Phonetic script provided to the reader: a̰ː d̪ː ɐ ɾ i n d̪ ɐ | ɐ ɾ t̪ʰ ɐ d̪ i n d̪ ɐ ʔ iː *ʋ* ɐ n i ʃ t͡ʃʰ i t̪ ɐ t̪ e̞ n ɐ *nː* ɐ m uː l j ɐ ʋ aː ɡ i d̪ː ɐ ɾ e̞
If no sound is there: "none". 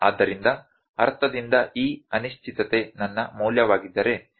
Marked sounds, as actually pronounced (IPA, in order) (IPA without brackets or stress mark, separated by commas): none, nː